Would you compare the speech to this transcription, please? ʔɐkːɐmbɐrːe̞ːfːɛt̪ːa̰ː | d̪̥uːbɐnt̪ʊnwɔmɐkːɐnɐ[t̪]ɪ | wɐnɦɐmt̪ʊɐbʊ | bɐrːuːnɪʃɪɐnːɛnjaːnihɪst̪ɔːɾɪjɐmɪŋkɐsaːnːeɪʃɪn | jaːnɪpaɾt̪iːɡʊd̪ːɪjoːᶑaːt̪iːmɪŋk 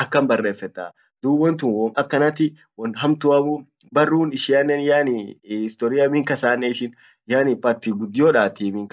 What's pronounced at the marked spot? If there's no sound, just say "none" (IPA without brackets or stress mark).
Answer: t̪